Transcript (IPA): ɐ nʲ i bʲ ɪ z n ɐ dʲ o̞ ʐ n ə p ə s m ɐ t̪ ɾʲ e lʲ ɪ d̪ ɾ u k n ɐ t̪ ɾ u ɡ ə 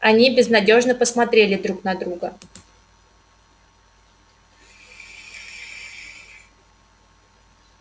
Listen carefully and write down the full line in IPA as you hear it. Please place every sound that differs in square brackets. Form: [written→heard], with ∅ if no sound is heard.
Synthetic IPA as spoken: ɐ nʲ i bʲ ɪ z n ɐ dʲ o̞ ʐ n ə p ə s m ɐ t̪ ɾʲ e lʲ ɪ d̪ ɾ u k n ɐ [t̪→d̪] ɾ u ɡ ə